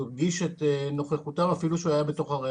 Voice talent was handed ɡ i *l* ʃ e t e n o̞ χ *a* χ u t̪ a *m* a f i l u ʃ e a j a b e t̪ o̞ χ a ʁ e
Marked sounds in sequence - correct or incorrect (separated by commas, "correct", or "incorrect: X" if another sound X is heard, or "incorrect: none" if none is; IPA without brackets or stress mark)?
incorrect: none, incorrect: e, correct